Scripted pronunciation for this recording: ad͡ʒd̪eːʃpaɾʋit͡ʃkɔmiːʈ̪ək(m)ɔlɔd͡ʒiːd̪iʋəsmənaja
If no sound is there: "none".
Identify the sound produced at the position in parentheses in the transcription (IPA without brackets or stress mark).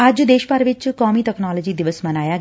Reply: n